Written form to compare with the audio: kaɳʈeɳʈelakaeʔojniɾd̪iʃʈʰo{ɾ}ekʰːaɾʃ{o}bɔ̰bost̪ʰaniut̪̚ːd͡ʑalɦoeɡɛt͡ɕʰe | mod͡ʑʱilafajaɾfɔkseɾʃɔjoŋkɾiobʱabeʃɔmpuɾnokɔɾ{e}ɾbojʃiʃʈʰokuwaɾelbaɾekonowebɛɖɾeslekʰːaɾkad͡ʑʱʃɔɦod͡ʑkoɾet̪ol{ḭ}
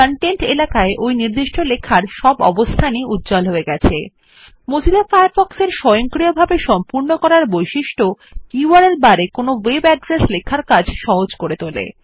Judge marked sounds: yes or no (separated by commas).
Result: no, no, no, no